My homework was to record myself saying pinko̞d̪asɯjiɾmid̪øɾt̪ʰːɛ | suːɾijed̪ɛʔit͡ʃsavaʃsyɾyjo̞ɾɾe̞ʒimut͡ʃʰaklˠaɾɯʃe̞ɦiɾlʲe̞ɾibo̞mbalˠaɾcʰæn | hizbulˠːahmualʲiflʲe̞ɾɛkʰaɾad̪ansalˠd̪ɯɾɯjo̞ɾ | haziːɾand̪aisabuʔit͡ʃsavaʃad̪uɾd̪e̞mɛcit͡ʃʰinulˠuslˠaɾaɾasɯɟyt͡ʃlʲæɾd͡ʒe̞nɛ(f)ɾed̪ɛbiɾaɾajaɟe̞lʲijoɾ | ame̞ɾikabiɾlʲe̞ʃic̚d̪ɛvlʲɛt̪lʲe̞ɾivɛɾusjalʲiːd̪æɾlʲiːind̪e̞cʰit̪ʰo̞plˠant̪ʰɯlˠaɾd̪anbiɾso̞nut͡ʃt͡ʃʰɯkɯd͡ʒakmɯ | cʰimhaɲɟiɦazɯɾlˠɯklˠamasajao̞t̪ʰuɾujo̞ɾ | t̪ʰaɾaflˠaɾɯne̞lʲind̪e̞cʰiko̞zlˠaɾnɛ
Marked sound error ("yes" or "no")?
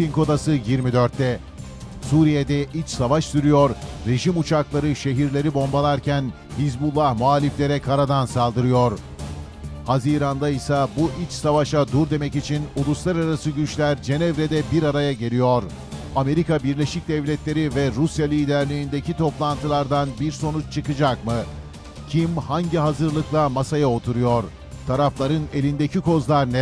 yes